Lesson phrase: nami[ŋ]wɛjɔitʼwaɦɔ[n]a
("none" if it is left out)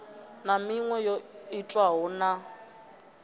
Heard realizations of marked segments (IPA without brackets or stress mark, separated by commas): ŋ, n